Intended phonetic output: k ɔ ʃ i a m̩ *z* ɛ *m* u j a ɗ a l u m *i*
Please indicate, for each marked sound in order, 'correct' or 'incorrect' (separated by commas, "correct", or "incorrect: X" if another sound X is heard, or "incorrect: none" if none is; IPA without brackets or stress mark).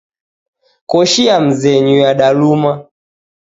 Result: correct, incorrect: ɲ, incorrect: a